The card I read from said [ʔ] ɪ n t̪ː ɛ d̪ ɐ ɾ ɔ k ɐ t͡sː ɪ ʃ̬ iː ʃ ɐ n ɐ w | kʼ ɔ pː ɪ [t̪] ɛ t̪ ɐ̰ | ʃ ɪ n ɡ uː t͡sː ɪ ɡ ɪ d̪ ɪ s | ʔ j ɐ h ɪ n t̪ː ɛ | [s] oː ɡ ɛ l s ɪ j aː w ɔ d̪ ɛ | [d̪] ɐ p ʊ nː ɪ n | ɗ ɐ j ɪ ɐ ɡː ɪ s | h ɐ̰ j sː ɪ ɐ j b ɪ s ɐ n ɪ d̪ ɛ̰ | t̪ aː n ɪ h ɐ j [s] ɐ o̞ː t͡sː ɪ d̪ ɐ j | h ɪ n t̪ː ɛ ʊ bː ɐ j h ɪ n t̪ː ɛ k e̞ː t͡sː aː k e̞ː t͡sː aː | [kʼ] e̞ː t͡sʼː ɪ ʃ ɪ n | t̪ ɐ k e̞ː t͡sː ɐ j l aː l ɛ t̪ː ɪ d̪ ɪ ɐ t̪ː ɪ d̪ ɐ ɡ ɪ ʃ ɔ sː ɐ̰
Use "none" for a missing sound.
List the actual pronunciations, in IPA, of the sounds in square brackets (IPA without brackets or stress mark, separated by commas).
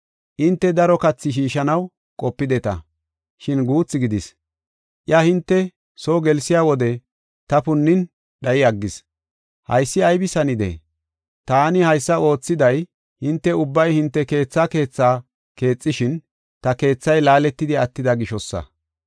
ʔ, d̪, s, t̪, sː, k